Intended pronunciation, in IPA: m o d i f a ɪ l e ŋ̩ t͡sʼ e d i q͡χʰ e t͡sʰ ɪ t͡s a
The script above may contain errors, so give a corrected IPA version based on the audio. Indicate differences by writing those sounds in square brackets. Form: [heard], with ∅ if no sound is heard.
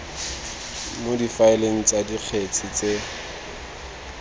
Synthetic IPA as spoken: m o d i f a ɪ l e ŋ̩ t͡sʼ [a] d i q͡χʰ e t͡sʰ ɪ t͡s [e]